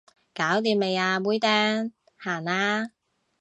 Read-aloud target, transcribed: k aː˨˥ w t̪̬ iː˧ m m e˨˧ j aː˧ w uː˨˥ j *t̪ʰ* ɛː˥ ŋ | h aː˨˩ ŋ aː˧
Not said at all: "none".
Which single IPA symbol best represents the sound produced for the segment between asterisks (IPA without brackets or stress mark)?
t̪